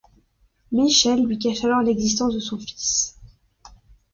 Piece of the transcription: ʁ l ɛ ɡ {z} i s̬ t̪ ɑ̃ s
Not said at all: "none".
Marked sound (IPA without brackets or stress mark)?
z